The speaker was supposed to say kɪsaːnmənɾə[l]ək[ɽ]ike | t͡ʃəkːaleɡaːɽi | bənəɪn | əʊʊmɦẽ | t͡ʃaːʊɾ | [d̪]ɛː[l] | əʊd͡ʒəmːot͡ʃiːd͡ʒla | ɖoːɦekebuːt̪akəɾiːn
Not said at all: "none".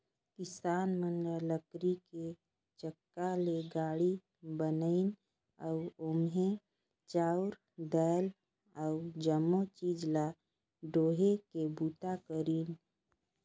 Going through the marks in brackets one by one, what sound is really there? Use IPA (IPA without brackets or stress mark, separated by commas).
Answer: l, ɾ, d̪, l